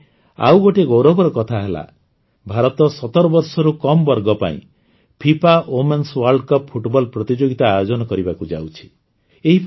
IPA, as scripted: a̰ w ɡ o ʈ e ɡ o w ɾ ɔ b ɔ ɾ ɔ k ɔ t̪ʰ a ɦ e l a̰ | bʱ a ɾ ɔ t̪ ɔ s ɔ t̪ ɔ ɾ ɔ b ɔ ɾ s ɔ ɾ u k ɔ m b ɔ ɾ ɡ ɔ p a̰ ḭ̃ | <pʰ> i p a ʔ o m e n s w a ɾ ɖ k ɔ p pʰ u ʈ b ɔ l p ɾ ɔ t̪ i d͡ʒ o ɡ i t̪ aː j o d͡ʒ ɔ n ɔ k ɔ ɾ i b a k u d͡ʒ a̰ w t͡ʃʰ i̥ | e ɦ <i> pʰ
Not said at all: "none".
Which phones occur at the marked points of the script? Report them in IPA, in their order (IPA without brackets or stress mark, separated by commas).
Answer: pʰ, i